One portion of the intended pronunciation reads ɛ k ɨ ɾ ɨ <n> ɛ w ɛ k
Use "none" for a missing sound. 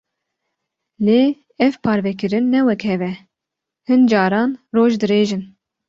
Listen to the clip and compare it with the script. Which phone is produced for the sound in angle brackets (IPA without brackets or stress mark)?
nː